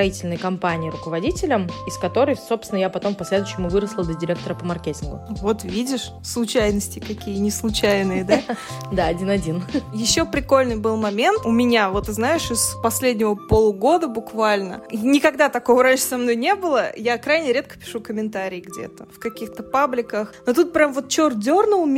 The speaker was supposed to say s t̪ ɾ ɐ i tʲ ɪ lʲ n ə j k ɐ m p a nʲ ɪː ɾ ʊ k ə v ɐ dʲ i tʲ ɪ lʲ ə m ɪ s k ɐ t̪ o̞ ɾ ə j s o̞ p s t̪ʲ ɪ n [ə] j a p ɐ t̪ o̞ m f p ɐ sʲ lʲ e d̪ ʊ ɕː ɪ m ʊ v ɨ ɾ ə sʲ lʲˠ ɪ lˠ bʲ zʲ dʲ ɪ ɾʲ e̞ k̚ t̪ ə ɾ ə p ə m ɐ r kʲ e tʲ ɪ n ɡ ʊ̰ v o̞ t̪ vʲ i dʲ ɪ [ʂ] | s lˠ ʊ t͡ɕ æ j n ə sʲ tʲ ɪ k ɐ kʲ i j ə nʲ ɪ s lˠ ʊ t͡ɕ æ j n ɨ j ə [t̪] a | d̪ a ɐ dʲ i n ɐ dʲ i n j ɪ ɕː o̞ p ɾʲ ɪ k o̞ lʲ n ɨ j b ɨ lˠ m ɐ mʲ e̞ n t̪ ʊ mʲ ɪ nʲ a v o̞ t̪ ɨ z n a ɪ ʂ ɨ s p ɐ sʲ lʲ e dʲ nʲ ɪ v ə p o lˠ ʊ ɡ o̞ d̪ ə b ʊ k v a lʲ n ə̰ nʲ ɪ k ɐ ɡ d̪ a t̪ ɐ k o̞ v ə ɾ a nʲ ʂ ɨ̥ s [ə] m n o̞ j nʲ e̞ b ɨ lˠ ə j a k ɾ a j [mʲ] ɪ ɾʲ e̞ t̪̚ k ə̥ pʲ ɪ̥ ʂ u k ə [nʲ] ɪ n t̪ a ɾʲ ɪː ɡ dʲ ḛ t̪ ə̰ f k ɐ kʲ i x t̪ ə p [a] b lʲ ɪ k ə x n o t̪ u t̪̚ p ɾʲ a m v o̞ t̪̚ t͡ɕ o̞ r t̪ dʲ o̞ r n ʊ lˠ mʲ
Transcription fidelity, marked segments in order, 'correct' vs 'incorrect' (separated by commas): correct, correct, incorrect, incorrect, incorrect, incorrect, correct